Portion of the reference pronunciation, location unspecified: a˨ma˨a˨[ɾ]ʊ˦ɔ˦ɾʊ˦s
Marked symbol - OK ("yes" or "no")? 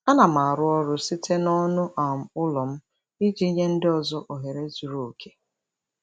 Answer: yes